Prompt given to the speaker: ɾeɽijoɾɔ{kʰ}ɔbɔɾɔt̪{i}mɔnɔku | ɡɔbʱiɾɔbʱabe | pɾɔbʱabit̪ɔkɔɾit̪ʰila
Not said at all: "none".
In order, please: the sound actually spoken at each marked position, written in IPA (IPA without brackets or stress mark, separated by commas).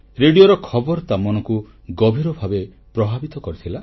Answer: kʰ, a